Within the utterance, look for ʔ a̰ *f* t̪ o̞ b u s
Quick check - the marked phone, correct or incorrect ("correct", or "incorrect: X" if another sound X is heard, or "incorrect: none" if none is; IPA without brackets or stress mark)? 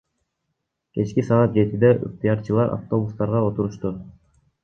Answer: correct